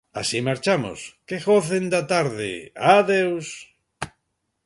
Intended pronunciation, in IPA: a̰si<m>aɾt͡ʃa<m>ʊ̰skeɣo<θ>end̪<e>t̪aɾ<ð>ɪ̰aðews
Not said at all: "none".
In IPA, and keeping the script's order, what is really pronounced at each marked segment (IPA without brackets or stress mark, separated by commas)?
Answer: m, m, θ, a, ð